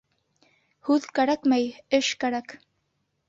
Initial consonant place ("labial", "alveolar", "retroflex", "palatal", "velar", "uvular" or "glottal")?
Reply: glottal